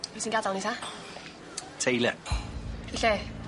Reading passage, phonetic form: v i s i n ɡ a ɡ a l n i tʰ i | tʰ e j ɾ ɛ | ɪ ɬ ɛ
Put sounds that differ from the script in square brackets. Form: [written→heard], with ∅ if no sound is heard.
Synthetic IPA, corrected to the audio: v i s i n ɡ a [ɡ→d] a l n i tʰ [i→a] | tʰ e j [ɾ→l] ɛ | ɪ ɬ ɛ